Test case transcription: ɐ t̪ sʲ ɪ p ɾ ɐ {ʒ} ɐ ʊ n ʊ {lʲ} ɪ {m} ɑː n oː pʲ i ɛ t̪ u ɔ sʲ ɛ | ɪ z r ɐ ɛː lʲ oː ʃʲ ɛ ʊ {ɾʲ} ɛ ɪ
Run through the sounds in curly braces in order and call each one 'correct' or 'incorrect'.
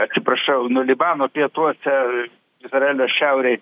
incorrect: ʃ, correct, incorrect: b, correct

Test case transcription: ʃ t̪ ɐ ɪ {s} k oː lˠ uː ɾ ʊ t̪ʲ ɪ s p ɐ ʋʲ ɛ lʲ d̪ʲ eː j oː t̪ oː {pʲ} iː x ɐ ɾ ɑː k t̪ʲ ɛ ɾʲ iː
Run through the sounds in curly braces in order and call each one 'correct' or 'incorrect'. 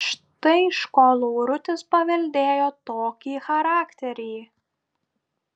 incorrect: ʃ, incorrect: kʲ

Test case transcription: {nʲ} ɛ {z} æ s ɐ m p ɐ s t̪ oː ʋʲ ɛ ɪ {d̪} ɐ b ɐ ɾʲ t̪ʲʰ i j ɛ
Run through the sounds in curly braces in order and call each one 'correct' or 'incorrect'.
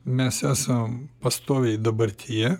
incorrect: mʲ, incorrect: s, correct

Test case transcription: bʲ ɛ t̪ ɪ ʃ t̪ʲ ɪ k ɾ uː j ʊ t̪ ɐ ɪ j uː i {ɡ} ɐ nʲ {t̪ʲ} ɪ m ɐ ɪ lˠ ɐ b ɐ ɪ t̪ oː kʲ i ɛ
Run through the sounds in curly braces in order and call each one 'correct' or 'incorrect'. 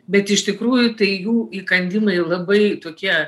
incorrect: k, incorrect: d̪ʲ

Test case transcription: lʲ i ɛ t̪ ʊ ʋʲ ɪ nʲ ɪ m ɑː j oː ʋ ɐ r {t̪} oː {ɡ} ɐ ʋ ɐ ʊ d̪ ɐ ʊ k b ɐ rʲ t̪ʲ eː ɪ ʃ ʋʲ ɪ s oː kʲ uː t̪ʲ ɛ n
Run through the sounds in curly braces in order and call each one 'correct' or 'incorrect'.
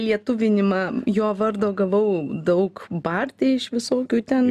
incorrect: d̪, correct

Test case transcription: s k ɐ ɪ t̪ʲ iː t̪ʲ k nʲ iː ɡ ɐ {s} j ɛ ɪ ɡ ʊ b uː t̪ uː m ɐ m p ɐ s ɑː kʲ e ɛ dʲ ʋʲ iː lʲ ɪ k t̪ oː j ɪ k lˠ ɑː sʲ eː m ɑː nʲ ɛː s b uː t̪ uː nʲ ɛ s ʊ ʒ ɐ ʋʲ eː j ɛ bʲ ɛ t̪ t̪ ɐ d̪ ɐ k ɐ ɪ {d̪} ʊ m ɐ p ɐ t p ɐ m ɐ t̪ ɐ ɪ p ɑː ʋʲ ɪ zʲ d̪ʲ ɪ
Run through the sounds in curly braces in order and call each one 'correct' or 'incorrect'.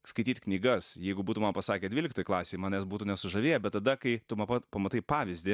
correct, incorrect: t̪

